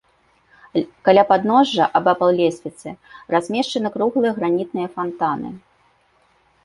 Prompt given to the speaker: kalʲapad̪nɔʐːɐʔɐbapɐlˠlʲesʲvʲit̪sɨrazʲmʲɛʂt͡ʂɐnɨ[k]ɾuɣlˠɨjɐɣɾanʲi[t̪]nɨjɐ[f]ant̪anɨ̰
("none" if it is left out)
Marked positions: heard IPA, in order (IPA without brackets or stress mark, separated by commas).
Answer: k, t̪, f